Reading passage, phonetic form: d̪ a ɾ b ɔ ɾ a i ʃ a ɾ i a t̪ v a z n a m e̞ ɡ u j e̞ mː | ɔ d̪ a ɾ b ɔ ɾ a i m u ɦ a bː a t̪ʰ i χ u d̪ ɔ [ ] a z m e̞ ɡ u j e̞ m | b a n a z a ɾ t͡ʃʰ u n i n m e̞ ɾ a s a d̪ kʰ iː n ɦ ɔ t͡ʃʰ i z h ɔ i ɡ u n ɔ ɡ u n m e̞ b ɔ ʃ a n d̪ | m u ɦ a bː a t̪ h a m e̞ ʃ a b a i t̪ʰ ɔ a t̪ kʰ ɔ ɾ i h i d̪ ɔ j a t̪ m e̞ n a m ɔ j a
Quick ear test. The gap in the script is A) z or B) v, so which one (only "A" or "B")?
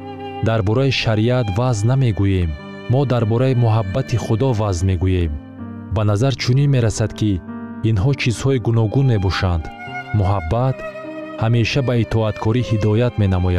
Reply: B